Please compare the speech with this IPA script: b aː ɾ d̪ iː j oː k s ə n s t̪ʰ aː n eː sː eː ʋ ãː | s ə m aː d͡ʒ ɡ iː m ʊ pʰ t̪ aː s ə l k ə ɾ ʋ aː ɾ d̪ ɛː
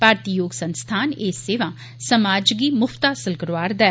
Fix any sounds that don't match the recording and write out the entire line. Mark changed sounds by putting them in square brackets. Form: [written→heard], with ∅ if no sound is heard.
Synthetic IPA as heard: [b→p] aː ɾ [d̪→t̪] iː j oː [k→ɡ] s ə n s t̪ʰ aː n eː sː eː ʋ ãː | s ə m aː d͡ʒ ɡ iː m ʊ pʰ t̪ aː s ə l k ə ɾ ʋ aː ɾ d̪ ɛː